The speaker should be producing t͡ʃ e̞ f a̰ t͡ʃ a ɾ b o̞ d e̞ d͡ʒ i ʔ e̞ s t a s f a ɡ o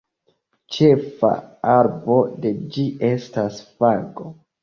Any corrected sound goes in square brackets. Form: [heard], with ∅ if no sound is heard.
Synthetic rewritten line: t͡ʃ e̞ f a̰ [∅] a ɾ b o̞ d e̞ d͡ʒ i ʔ e̞ s t a s f a ɡ o